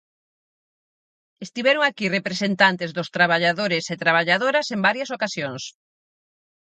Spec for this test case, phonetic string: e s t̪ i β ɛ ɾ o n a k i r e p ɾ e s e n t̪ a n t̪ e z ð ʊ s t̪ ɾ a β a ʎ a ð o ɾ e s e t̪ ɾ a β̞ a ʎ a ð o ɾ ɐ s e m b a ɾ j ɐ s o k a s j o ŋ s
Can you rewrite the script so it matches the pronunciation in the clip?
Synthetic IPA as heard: e s t̪ i β ɛ ɾ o ŋ a k i r e p ɾ e s e n t̪ a n t̪ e z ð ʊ s t̪ ɾ a β a ʎ a ð o ɾ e s e t̪ ɾ a β̞ a ʎ a ð o ɾ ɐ s e m b a ɾ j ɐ s o k a s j o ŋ s